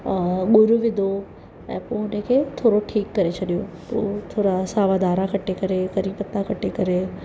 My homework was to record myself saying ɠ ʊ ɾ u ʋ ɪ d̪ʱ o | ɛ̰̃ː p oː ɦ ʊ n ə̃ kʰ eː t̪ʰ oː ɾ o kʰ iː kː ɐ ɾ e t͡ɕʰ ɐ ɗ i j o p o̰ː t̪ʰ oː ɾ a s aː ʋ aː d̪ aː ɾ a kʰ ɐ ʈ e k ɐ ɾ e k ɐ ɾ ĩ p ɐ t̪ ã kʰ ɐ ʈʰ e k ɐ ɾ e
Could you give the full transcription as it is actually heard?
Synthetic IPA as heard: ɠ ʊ ɾ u ʋ ɪ d̪ʱ o | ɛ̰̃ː p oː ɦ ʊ n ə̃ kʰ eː t̪ʰ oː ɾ o ʈʰ iː kː ɐ ɾ e t͡ɕʰ ɐ ɗ i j o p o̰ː t̪ʰ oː ɾ a s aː ʋ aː d̪ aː ɾ a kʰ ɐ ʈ e k ɐ ɾ e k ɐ ɾ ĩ p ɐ t̪ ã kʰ ɐ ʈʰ e k ɐ ɾ e